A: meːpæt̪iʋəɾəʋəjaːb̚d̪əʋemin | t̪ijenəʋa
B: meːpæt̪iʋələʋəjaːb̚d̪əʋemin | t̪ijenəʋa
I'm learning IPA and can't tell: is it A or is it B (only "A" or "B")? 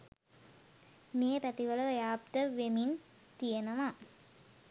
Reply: B